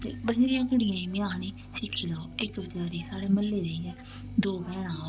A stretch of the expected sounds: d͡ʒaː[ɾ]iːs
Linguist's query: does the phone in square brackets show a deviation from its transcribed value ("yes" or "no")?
no